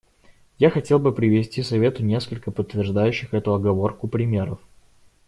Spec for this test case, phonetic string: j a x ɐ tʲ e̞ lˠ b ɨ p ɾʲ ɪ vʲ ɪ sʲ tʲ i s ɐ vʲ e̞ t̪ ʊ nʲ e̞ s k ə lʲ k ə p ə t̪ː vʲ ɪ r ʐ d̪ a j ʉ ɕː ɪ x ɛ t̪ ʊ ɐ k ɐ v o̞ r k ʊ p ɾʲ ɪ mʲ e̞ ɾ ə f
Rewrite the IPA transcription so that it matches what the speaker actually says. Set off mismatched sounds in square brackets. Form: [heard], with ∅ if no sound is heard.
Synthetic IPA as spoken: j a x ɐ tʲ e̞ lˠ b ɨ p ɾʲ ɪ vʲ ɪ sʲ tʲ i s ɐ vʲ e̞ t̪ ʊ nʲ e̞ s k ə lʲ k ə p ə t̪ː vʲ ɪ r ʐ d̪ a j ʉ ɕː ɪ x ɛ t̪ ʊ ɐ [ɡ] ɐ v o̞ r k ʊ p ɾʲ ɪ mʲ e̞ ɾ ə f